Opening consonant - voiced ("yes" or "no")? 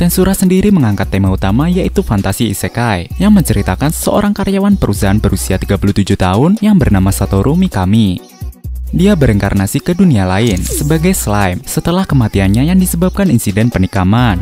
no